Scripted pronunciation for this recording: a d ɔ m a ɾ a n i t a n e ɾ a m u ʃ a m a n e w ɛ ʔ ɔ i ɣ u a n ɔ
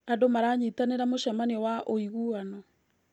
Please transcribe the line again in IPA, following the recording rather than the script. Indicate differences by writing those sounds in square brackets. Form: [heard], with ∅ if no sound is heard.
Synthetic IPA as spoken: a d [o] m a ɾ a [ɲ] i t a n e ɾ a m [o] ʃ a m a n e w [a] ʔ [o] i ɣ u a n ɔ